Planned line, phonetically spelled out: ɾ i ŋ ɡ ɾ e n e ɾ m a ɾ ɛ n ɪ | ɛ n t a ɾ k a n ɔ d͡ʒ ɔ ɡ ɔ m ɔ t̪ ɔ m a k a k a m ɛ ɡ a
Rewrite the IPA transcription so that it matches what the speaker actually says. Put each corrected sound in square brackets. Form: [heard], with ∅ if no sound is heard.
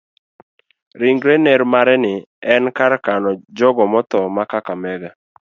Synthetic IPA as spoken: ɾ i ŋ ɡ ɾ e n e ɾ m a ɾ ɛ n ɪ | ɛ n [k] a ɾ k a n ɔ d͡ʒ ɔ ɡ ɔ m ɔ t̪ ɔ m a k a k a m ɛ ɡ a

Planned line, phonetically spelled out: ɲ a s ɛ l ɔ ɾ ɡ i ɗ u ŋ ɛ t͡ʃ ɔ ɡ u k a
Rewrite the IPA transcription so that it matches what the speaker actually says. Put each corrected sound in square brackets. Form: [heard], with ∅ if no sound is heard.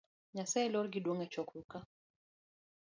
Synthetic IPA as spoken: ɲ a s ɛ l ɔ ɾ ɡ i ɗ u ŋ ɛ t͡ʃ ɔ [k] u k a

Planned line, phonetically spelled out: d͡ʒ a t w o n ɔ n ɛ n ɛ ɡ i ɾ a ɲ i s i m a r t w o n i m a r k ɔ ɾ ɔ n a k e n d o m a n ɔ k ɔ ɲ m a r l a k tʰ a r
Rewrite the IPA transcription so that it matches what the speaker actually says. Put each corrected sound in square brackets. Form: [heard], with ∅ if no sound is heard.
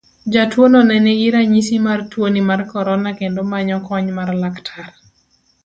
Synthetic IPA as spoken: d͡ʒ a t w o n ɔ n ɛ n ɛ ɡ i ɾ a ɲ i s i m a r t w o n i m a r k ɔ ɾ ɔ n a k e n d o m a [ɲ] ɔ k ɔ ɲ m a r l a k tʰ a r

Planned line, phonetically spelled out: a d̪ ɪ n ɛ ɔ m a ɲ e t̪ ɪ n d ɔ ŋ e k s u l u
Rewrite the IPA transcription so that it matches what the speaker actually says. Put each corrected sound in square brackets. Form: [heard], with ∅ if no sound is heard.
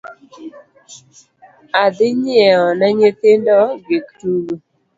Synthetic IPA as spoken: a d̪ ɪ [ɲ] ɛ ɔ [n] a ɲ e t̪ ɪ n d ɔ [ɡ] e k [t] u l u

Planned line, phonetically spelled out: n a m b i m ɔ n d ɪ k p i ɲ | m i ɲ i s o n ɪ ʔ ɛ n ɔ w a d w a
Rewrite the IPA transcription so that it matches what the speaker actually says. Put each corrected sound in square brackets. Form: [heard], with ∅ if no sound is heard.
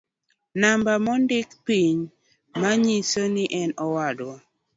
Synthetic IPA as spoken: n a m b [a] m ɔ n d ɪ k p i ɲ | m [a] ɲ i s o n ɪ ʔ ɛ n ɔ w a d w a

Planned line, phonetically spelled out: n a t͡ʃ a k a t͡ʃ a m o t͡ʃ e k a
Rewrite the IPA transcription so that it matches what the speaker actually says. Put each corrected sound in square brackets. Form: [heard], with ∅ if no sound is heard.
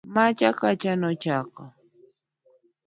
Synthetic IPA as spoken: [m] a t͡ʃ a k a t͡ʃ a [n] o t͡ʃ [a] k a

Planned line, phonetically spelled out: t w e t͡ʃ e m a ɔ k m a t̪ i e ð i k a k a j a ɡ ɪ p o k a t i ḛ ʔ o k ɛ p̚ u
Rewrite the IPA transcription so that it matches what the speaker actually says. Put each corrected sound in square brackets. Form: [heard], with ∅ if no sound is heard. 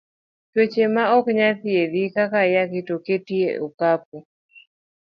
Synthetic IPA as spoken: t w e t͡ʃ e m a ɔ k [ɲ] a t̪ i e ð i k a k a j a [k] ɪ [t] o k [e] t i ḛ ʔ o k [a] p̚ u

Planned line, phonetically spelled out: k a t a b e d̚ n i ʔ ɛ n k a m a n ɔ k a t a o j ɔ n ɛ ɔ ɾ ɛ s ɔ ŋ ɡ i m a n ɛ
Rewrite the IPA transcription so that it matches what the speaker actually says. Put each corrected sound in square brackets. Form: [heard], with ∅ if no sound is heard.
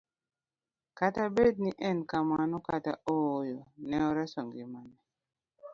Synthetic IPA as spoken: k a t a b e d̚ n i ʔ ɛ n k a m a n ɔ k a t a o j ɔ n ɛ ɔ ɾ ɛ s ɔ ŋ ɡ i m a n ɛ

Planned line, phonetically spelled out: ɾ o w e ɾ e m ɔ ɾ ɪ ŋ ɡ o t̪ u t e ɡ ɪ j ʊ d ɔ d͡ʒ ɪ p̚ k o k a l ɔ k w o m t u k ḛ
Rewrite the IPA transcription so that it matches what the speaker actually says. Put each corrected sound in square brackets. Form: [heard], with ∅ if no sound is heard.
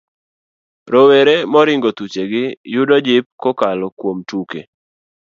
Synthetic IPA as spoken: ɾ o w e ɾ e m ɔ ɾ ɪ ŋ ɡ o t̪ u [t͡ʃ] e ɡ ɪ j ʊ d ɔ d͡ʒ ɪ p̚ k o k a l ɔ k w o m t u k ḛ

